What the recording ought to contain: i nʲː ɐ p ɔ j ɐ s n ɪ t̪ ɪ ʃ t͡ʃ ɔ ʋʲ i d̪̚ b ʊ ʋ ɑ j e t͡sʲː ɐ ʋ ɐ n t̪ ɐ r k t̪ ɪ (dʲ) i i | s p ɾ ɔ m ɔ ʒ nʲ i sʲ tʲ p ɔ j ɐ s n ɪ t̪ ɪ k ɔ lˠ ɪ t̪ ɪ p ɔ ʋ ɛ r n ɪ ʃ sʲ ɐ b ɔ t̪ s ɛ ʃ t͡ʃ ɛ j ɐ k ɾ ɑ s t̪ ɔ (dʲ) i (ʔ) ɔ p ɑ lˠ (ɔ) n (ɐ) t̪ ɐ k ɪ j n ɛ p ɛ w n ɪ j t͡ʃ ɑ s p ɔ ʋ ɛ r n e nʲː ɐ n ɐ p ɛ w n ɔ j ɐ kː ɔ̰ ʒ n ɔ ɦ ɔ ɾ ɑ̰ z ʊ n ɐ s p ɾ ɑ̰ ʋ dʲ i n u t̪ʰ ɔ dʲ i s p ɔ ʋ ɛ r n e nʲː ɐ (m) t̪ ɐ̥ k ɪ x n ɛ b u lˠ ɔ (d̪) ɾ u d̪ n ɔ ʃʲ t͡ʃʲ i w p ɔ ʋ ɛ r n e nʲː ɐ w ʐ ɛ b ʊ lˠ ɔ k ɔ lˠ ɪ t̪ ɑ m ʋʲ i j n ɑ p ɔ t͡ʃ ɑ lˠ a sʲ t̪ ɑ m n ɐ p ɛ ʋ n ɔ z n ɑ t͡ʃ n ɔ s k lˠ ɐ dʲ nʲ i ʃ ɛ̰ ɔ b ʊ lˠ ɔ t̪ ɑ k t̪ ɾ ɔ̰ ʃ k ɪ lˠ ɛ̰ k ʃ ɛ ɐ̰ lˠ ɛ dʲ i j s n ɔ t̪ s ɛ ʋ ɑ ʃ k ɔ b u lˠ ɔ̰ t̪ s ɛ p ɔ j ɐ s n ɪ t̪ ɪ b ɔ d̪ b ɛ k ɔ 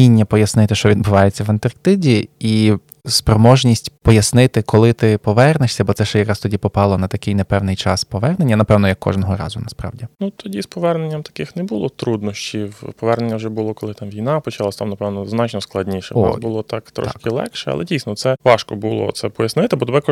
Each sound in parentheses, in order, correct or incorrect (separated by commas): correct, correct, incorrect, correct, correct, correct, incorrect